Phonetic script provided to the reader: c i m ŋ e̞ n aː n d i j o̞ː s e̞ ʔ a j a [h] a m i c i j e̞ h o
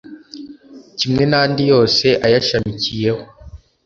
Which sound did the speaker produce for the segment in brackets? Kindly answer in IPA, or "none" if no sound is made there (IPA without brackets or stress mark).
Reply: ʃ